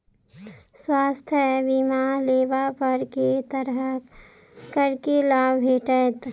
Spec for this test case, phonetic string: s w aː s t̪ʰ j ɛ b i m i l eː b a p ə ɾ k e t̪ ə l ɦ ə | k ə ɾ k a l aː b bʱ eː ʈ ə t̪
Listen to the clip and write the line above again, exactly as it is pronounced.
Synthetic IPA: s w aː s t̪ʰ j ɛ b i m a l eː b a p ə ɾ k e t̪ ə ɾ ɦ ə | k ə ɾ k e l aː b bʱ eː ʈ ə t̪

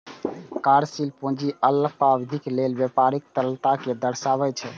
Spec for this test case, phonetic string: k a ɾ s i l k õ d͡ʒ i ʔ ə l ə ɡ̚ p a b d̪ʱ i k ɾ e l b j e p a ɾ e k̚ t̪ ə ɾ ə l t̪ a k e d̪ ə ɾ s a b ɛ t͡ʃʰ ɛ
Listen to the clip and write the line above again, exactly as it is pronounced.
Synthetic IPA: k a ɾ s i l p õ d͡ʒ i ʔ ə l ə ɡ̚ p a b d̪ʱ i k l e l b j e p a ɾ i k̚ t̪ ə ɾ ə l t̪ a k e d̪ ə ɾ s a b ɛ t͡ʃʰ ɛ

